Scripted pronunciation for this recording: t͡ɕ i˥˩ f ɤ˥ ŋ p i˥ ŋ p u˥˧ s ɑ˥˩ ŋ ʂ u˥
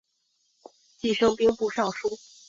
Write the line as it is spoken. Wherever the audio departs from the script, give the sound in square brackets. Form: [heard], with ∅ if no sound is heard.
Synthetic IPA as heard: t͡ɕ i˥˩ [ʂ] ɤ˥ ŋ p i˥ ŋ p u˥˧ [ʂ] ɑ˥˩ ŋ ʂ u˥